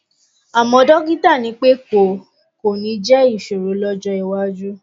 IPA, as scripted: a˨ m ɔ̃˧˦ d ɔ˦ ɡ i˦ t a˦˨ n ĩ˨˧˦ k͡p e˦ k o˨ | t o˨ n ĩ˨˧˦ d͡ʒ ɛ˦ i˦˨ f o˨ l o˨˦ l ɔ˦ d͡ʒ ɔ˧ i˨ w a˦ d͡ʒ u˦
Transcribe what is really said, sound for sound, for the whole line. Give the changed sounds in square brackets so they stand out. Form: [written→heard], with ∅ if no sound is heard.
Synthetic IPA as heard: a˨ m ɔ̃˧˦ d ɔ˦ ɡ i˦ t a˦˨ n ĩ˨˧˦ k͡p e˦ k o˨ | [t→k] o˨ n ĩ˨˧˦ d͡ʒ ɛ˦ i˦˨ [f→ʃ] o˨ [l→ɾ] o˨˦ l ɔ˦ d͡ʒ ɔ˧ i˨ w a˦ d͡ʒ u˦